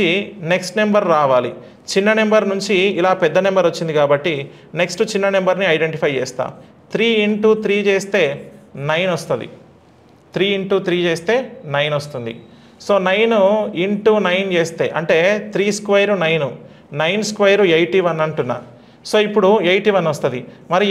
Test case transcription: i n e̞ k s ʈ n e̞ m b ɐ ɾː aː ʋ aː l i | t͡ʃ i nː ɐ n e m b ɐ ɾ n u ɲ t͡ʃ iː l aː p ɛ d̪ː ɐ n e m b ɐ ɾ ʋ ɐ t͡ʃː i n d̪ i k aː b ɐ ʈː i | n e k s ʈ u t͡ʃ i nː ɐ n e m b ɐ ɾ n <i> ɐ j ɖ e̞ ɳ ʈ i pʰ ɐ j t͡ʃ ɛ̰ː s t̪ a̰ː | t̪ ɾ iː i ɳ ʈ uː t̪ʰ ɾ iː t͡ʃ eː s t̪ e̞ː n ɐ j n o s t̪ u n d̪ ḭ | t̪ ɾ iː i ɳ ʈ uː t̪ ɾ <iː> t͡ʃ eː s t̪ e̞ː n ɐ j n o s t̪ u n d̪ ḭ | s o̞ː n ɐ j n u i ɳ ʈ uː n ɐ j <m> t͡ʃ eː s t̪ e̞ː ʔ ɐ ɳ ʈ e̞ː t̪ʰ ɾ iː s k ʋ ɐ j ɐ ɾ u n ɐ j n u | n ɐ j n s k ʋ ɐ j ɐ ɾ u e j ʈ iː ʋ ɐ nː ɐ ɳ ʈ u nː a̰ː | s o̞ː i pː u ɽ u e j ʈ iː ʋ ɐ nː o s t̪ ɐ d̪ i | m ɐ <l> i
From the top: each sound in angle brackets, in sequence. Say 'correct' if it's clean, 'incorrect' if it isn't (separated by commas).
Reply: correct, correct, incorrect, incorrect